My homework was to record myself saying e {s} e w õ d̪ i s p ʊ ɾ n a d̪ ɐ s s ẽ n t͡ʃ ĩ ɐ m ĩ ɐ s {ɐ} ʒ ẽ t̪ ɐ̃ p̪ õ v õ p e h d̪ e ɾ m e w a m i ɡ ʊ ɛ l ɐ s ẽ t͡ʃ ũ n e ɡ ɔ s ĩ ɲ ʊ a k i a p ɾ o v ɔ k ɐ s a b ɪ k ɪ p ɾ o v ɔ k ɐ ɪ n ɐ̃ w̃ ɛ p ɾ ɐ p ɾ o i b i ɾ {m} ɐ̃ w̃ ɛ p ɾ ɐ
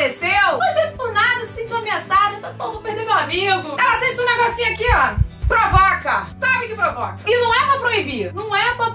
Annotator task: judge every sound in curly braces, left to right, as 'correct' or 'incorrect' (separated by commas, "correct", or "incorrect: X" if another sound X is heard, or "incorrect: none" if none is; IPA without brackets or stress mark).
correct, incorrect: a, incorrect: n